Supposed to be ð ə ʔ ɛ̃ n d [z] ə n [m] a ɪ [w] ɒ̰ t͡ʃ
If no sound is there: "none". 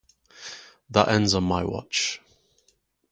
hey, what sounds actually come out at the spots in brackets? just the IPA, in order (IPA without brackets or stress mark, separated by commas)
z, m, w